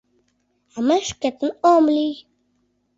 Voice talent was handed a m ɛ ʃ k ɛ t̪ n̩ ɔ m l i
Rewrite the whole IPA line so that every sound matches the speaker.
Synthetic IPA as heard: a m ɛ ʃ k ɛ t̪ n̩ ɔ m l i